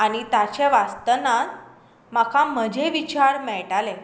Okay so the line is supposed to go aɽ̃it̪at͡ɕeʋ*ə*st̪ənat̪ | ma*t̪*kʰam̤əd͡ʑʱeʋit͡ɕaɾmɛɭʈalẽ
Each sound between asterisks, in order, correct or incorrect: incorrect, incorrect

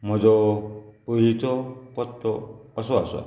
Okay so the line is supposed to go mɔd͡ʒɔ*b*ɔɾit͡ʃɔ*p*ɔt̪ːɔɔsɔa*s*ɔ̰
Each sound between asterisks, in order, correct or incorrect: incorrect, incorrect, correct

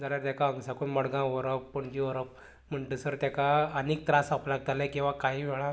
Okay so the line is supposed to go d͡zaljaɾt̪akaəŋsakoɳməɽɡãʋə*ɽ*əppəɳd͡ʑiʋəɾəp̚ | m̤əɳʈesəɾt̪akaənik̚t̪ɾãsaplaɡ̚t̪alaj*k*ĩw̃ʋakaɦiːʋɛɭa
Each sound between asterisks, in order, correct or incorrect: incorrect, correct

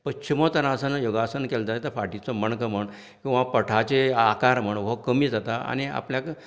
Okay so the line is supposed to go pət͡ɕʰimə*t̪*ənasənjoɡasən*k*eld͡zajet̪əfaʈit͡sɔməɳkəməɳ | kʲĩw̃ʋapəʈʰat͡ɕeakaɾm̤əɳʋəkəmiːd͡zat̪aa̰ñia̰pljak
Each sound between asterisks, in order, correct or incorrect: correct, correct

